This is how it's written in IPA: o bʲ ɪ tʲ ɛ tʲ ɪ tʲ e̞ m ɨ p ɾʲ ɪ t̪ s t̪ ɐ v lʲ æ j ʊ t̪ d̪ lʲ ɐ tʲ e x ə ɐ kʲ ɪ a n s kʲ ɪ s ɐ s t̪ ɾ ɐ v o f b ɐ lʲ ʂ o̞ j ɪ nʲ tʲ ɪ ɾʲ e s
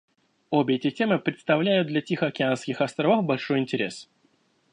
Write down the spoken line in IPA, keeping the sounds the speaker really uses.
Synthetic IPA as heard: o bʲ ɪ ɛ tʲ ɪ tʲ e̞ m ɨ p ɾʲ ɪ t̪ s t̪ ɐ v lʲ æ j ʊ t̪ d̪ lʲ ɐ tʲ i x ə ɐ kʲ ɪ a n s kʲ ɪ x ɐ s t̪ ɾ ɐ v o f b ɐ lʲ ʂ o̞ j ɪ nʲ tʲ ɪ ɾʲ e s